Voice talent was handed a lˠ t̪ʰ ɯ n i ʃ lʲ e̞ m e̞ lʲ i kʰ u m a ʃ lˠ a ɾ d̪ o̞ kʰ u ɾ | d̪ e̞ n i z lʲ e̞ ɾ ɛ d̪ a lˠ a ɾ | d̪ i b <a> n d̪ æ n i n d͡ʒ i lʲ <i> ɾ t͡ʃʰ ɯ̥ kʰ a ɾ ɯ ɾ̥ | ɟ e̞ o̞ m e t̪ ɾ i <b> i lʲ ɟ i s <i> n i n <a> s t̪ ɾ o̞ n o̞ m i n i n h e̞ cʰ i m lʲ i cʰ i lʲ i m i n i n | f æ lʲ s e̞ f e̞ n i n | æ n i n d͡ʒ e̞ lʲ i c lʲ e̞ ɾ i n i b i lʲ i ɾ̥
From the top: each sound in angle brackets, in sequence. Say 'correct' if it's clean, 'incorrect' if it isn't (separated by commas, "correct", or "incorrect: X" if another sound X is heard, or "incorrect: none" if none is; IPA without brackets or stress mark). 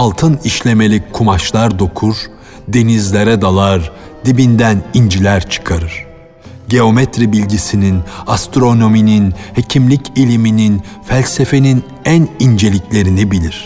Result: incorrect: i, incorrect: æ, correct, correct, correct